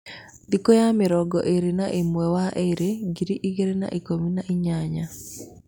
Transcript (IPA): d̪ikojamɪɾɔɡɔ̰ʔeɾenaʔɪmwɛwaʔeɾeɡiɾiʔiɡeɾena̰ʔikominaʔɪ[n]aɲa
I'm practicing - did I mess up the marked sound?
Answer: yes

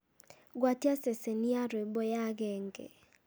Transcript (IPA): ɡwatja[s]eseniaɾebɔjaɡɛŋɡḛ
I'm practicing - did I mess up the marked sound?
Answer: no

